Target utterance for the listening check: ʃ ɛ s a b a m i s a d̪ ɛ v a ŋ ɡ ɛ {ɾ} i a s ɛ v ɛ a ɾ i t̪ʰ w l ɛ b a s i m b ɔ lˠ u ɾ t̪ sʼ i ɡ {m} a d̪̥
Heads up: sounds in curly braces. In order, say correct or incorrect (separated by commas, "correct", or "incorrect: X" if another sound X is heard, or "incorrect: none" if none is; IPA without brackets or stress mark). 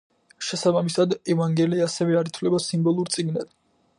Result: incorrect: l, incorrect: n